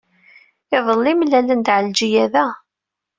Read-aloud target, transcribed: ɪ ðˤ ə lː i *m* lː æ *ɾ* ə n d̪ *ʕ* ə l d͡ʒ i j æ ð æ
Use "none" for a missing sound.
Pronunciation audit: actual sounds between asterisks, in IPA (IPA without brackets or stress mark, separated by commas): m, l, ʕ